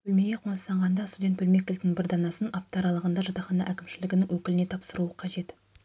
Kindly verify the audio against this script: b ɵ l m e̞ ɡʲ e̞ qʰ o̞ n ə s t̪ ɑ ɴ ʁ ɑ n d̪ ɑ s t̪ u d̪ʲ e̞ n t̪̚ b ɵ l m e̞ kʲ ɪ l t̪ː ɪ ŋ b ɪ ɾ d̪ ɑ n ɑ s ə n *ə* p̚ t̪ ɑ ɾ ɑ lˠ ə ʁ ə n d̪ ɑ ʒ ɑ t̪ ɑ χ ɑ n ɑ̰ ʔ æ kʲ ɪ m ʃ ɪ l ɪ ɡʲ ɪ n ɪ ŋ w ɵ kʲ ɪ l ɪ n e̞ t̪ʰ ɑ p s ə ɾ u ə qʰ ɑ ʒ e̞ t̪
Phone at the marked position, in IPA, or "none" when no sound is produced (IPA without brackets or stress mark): ɑ